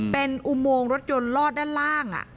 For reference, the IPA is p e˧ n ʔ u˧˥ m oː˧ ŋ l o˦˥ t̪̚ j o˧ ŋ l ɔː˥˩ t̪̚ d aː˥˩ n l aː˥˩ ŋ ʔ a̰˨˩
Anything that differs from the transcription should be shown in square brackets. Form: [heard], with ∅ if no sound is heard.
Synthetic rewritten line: p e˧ n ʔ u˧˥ m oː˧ ŋ [ɾ] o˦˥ t̪̚ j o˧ [n] l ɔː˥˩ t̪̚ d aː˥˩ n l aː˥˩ ŋ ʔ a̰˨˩